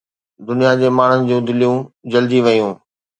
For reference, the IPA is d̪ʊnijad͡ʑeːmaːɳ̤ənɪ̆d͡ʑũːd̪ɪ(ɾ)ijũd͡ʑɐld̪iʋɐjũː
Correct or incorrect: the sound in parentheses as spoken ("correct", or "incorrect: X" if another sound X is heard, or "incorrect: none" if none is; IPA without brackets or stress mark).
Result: incorrect: l